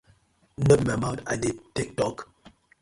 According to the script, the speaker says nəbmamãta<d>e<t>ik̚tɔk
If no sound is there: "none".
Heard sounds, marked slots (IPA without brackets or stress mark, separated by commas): d, t